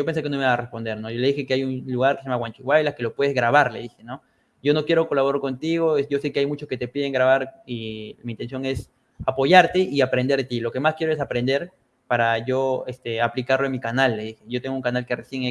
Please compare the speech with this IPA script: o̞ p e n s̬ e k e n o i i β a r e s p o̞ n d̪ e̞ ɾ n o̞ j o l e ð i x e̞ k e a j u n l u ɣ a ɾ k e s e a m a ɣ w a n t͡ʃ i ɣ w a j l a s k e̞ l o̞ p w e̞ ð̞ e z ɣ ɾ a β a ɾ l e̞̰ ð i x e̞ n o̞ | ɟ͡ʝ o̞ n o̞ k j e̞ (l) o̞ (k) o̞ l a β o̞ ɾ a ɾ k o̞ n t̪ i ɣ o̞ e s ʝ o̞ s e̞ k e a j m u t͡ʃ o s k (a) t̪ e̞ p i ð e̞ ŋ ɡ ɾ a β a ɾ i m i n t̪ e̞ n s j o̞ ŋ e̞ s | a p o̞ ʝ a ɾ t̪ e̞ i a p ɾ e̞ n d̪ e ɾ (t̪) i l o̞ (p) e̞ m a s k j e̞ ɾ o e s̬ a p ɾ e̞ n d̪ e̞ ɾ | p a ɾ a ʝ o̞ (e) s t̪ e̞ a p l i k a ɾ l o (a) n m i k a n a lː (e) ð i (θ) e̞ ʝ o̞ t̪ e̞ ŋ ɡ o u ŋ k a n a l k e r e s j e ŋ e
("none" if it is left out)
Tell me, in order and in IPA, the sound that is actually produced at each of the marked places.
ɾ, k, e, t̪, k, e, e, e, x

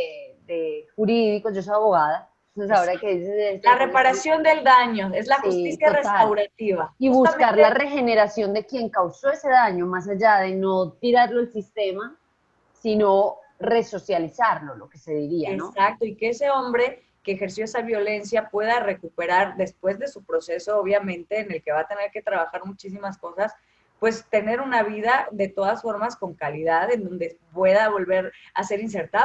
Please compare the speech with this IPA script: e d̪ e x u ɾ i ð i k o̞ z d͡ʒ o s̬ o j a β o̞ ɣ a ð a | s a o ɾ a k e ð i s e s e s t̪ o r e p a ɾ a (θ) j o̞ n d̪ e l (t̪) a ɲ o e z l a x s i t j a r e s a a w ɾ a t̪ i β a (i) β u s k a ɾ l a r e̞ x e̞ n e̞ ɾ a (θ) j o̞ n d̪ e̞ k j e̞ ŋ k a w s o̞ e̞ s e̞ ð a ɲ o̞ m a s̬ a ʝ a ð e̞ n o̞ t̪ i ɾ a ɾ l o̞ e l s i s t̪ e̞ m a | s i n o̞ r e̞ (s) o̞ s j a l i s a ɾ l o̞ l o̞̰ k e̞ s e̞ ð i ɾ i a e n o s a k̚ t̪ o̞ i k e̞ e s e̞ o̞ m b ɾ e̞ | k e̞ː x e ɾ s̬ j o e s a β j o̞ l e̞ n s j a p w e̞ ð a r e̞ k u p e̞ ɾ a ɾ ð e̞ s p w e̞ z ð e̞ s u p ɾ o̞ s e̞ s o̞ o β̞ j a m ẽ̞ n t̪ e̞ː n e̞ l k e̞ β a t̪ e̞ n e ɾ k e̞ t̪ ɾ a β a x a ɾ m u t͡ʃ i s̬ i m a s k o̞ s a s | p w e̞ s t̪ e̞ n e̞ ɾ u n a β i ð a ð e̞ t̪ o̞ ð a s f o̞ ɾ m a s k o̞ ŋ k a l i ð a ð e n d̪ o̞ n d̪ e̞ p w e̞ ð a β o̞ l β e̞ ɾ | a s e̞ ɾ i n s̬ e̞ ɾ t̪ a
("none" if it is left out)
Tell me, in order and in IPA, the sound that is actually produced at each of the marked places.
s, d̪, i, s, s

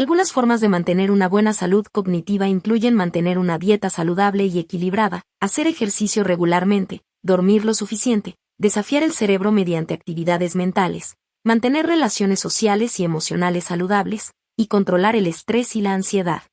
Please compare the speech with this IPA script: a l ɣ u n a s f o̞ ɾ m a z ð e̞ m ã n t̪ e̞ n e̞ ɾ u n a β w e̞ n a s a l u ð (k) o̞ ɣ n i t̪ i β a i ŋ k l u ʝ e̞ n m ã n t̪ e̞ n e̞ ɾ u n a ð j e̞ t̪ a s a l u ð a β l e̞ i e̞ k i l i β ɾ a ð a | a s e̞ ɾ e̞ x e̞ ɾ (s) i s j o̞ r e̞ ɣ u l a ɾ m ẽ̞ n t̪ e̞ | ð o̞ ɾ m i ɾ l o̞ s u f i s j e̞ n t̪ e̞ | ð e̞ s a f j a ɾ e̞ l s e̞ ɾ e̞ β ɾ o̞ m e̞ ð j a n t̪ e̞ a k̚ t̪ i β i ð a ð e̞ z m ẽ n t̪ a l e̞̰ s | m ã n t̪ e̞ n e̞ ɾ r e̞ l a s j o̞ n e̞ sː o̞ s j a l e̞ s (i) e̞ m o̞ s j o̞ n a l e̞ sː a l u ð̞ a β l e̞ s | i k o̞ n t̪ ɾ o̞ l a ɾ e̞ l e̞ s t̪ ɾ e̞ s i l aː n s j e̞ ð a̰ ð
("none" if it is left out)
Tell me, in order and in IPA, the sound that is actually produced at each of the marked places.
k, s, i

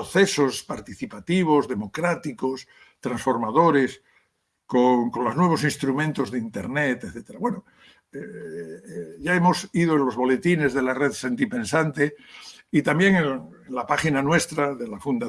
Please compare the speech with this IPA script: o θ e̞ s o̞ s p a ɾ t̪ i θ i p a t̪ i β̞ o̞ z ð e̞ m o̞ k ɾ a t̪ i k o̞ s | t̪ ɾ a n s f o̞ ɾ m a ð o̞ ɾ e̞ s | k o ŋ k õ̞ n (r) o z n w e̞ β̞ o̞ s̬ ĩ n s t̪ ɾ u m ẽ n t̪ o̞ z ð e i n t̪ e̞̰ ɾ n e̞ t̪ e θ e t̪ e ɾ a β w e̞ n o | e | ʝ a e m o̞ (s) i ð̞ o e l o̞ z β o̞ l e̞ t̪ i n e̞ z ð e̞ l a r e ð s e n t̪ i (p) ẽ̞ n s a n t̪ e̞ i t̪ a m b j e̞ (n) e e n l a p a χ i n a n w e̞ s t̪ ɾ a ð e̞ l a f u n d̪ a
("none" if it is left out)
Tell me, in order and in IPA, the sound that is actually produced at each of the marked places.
l, s, p, ŋ

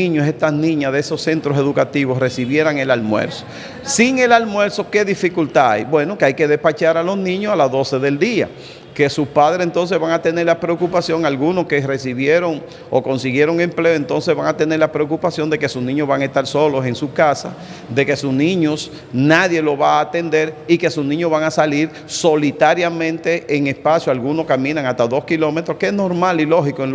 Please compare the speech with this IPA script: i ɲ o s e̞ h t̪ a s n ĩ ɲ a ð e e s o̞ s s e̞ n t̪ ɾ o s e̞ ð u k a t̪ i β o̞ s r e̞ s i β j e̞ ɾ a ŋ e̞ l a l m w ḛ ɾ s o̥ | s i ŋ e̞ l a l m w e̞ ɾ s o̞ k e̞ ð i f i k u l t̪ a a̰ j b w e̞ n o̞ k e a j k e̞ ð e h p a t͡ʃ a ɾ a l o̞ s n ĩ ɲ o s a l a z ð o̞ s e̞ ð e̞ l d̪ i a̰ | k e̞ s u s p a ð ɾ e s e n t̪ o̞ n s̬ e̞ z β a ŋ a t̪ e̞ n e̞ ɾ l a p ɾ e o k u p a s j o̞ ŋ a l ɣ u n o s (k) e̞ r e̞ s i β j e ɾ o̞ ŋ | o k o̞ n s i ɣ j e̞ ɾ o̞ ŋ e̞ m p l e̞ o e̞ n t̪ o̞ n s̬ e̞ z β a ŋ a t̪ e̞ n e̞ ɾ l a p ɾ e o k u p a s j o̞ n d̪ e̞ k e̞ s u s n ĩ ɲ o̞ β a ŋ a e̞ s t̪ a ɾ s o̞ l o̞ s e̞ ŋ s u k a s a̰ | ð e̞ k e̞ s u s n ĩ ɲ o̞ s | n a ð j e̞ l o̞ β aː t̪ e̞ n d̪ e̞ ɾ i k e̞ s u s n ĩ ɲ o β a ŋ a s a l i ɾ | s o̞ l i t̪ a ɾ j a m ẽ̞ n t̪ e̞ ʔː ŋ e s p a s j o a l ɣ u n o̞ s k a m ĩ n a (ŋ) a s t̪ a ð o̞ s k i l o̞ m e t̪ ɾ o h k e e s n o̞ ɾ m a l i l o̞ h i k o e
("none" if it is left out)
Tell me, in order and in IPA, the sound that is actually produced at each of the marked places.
k, ŋ

